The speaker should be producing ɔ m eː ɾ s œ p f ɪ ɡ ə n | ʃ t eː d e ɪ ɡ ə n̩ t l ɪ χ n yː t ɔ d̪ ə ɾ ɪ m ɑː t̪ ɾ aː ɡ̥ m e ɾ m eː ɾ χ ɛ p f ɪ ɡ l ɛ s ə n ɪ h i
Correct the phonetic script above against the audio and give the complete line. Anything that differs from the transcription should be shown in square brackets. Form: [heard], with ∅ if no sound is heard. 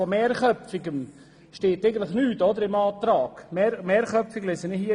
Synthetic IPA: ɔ m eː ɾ [χ] œ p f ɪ ɡ ə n | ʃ t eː [t] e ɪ ɡ ə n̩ t l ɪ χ n yː t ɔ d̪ ə ɾ ɪ m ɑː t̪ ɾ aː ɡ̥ m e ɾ m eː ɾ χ [œ] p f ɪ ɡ l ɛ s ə n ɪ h i